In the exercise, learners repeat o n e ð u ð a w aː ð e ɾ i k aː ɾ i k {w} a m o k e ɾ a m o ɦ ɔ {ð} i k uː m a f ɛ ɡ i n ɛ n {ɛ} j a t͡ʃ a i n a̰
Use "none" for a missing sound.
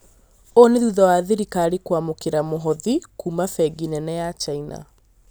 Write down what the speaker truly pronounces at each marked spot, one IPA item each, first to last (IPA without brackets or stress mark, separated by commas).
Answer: w, ð, ɛ